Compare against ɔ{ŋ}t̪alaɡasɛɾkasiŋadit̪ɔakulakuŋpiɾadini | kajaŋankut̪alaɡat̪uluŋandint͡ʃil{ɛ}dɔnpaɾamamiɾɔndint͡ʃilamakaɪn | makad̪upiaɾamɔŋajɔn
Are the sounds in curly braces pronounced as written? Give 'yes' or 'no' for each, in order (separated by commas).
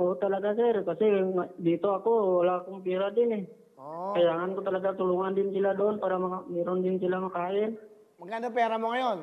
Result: no, no